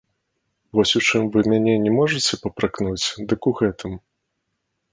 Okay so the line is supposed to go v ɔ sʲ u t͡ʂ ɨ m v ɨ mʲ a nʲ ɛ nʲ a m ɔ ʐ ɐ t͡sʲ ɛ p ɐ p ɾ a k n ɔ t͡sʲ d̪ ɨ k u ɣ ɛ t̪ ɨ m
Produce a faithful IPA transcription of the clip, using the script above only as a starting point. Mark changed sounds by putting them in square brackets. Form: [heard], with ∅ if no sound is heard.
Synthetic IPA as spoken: v ɔ sʲ u t͡ʂ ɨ m v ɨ mʲ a nʲ ɛ nʲ [ɛ] m ɔ ʐ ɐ t͡sʲ ɛ p ɐ p ɾ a k n [u] t͡sʲ d̪ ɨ k u ɣ ɛ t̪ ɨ m